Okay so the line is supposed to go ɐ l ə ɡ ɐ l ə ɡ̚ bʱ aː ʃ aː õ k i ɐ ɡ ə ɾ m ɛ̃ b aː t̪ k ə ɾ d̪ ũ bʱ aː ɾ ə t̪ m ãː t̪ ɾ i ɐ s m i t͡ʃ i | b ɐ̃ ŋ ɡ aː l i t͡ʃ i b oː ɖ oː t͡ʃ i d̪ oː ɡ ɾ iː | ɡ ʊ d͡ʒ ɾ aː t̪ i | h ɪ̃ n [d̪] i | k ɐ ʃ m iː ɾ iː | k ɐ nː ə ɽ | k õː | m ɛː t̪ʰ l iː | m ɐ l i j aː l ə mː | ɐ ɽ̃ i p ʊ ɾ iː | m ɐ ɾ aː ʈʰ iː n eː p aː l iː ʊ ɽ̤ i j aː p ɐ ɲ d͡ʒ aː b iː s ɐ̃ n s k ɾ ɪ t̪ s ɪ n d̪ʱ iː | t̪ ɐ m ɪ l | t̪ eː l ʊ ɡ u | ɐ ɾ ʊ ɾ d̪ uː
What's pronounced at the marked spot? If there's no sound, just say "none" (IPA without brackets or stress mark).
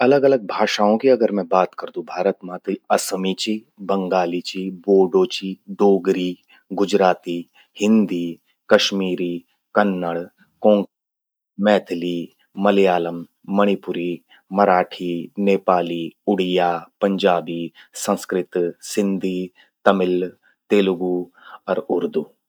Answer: d̪